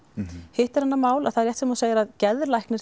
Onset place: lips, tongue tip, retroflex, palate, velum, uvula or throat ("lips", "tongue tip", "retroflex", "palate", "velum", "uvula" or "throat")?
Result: throat